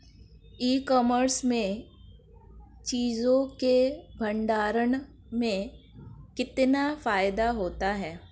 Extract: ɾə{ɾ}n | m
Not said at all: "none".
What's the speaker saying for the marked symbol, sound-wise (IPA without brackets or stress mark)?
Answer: none